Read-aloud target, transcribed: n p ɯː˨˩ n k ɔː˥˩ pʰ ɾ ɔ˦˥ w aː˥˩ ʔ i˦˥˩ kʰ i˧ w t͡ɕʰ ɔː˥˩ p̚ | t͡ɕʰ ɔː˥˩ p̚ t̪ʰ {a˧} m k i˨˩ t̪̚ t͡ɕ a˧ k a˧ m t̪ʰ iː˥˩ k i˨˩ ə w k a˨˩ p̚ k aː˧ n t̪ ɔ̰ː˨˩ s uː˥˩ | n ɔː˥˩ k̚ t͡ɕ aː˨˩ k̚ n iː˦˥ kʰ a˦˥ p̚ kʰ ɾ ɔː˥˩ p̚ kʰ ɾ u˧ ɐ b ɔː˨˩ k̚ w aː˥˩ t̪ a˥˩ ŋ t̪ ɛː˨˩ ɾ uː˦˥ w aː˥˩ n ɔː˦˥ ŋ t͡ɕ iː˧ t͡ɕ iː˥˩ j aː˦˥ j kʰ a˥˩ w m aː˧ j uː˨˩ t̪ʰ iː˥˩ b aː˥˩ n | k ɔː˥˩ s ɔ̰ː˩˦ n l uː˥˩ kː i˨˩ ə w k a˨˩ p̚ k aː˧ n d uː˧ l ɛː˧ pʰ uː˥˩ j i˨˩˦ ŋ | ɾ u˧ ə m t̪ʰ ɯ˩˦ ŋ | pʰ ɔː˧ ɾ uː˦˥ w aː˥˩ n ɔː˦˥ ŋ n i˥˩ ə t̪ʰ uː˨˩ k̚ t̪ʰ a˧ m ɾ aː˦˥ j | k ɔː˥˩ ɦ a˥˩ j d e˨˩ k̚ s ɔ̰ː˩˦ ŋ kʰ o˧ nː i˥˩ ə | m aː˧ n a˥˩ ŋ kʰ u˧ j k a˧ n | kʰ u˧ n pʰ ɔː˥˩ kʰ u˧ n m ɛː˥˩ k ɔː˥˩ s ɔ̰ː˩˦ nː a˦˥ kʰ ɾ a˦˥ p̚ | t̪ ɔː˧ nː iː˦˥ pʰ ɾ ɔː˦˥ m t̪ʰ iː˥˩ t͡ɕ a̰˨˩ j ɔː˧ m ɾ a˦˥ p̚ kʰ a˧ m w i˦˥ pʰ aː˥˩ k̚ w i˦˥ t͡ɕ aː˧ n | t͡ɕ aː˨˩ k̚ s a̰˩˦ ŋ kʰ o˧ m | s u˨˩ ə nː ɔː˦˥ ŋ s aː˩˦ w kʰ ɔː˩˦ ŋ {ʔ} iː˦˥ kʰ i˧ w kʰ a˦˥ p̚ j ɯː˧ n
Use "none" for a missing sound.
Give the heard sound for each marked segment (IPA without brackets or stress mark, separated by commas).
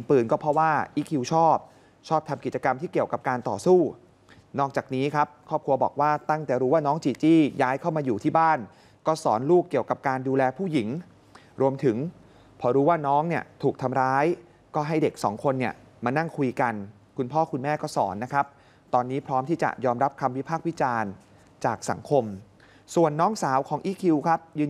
a˧, ʔ